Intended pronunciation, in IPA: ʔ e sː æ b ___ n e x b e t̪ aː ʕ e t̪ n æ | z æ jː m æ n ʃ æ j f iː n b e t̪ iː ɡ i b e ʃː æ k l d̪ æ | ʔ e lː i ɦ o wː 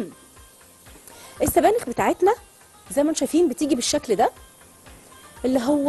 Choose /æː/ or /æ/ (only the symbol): æː